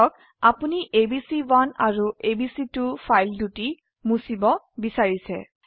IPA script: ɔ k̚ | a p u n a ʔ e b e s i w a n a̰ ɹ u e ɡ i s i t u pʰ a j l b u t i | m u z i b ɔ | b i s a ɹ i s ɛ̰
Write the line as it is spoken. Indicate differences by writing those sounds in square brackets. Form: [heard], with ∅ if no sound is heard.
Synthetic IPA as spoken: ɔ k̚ | a p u n [i] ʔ e b [i] s i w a n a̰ ɹ u e [b] i s i t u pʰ a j l [d] u t i | m u [s] i b ɔ | b i s a ɹ i s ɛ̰

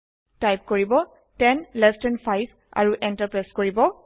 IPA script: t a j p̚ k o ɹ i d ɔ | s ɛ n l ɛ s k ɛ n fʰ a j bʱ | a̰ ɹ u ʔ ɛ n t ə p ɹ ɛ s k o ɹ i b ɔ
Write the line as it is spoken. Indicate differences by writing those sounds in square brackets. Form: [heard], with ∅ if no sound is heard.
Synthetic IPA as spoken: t a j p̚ k o ɹ i [b] ɔ | [t] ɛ n l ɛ s [t] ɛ n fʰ a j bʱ | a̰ ɹ u ʔ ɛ n t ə p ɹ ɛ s k o ɹ i b ɔ

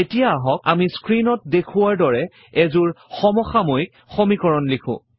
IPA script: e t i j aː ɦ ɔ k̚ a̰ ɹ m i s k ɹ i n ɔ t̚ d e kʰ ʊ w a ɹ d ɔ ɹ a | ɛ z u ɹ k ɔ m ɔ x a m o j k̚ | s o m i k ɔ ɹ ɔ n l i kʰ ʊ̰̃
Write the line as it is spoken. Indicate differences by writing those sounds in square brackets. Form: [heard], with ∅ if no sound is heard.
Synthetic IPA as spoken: e t i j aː ɦ ɔ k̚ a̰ [∅] m i s k ɹ i n ɔ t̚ d e kʰ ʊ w a ɹ d ɔ ɹ [ɛ] | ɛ z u ɹ [x] ɔ m ɔ x a m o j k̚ | [x] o m i k ɔ ɹ ɔ n l i kʰ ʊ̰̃

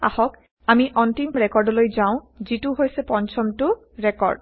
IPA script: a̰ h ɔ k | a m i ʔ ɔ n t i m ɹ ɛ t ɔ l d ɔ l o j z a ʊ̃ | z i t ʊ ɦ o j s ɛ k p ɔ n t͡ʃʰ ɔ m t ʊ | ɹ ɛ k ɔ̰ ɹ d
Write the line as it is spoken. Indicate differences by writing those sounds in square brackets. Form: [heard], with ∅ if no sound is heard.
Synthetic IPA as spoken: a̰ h ɔ k | a m i ʔ ɔ n t i m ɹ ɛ [k] ɔ [ɹ] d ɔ l o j z a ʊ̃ | z i t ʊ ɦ o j s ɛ [∅] p ɔ n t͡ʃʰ ɔ m t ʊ | ɹ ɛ k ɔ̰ ɹ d

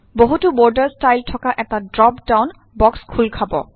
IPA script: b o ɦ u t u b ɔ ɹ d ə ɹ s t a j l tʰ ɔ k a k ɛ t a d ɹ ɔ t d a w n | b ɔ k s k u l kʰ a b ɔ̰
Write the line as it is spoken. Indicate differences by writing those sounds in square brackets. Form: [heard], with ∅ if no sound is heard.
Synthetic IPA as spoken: b o ɦ u t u b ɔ ɹ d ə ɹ s t a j l tʰ ɔ k a [ʔ] ɛ t a d ɹ ɔ [p] d a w n | b ɔ k s [kʰ] u l kʰ a b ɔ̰

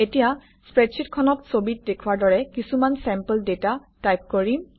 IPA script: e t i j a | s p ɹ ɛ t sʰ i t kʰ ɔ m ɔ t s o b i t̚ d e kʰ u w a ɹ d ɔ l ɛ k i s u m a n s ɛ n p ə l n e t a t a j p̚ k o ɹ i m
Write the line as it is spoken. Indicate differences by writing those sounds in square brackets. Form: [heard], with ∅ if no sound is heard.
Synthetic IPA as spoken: e t i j a | s p ɹ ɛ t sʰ i t kʰ ɔ [n] ɔ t s o b i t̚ d e kʰ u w a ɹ d ɔ [ɹ] ɛ k i s u m a n s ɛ [m] p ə l [d] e t a t a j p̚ k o ɹ i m

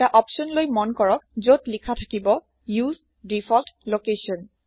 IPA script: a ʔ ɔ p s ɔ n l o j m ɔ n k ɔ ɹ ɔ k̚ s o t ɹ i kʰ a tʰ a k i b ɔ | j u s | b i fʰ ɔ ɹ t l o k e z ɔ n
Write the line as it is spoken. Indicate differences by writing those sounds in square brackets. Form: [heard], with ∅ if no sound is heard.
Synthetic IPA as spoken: a ʔ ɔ p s ɔ n l o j m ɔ n k ɔ ɹ ɔ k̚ [z] o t [l] i kʰ a tʰ a k i b ɔ | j u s | [d] i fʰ ɔ [l] t l o k e [s] ɔ n

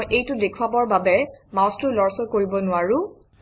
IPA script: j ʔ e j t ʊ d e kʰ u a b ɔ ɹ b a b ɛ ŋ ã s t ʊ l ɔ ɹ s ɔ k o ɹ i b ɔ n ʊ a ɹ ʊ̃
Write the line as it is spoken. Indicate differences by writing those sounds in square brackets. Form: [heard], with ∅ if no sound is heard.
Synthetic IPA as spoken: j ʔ e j t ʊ d e kʰ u a b ɔ ɹ b a b ɛ [m] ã s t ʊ l ɔ ɹ s ɔ k o ɹ i b ɔ n ʊ a ɹ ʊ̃

